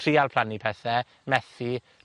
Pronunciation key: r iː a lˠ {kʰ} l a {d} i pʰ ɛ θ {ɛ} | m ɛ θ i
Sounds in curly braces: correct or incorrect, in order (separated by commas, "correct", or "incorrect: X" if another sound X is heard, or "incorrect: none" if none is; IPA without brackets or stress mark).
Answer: incorrect: pʰ, incorrect: n, correct